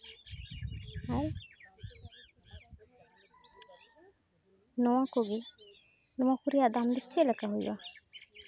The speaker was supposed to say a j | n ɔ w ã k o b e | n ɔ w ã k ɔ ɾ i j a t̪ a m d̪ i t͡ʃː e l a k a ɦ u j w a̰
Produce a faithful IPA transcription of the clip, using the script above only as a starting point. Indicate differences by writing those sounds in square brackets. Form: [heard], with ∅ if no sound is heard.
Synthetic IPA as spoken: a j | n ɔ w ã k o [ɡ] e | n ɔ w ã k [u] ɾ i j a [d̪] a m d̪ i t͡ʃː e l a k a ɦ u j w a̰

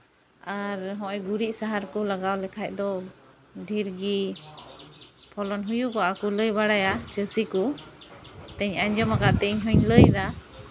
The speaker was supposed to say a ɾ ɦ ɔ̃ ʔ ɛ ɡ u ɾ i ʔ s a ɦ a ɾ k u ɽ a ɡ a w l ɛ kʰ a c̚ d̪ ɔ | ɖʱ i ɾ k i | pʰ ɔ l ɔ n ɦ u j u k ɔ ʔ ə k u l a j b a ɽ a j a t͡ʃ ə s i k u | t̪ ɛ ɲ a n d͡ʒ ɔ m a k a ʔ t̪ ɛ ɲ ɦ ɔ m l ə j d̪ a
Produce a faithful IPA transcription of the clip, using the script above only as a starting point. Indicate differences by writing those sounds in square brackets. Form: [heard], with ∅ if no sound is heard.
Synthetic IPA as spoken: a ɾ ɦ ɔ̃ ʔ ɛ ɡ u ɾ i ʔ s a ɦ a ɾ k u [l] a ɡ a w l ɛ kʰ a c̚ d̪ ɔ | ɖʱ i ɾ [ɡ] i | pʰ ɔ l ɔ n ɦ u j u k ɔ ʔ [a] k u l [ə] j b a ɽ a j a t͡ʃ ə s i k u | t̪ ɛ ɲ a [ɲ] d͡ʒ ɔ m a k a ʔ t̪ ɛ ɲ ɦ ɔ [ɲ] l ə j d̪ a

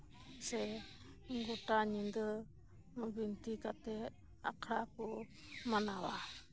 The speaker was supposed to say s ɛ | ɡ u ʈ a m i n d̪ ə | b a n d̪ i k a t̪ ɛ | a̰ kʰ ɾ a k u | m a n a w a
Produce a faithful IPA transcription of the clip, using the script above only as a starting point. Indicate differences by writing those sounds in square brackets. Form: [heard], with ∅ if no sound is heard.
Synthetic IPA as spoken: s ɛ | ɡ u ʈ a [ɲ] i n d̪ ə | b [i] n [t̪] i k a t̪ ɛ | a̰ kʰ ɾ a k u | m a n a w a

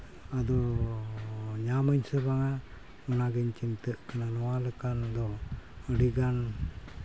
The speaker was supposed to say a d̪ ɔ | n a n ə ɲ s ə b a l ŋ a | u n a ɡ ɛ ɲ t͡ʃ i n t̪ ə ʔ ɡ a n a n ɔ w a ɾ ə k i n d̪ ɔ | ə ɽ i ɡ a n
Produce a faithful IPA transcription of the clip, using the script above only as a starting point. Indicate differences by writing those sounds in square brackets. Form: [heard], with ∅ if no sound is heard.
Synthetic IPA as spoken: a d̪ ɔ | [ɲ] a [m] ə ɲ s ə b a [∅] ŋ a | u n a ɡ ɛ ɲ t͡ʃ i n t̪ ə ʔ [k] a n a n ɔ w a [l] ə k [a] n d̪ ɔ | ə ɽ i ɡ a n

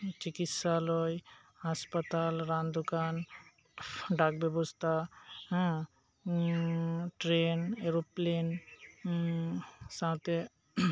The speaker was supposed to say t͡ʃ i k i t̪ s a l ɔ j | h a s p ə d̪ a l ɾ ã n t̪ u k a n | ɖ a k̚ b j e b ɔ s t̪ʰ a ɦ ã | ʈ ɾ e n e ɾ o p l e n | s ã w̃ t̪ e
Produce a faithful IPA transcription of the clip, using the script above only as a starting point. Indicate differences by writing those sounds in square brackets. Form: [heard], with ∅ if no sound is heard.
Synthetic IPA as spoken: t͡ʃ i k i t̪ s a l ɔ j | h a s p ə [t̪] a l ɾ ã n [d̪] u k a n | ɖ a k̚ b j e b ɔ s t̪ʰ a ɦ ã | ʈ ɾ e n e ɾ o p l e n | s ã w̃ t̪ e

